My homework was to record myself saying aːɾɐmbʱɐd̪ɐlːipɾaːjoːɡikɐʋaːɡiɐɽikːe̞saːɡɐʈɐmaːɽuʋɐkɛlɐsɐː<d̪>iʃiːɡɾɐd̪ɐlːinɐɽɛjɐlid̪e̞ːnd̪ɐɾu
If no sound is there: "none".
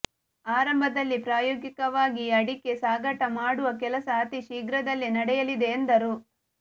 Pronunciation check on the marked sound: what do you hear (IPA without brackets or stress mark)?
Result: t̪